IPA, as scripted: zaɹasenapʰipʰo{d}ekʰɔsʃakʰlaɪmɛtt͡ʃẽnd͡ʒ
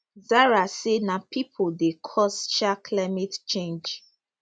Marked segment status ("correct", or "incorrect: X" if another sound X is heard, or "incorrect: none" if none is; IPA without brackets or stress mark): correct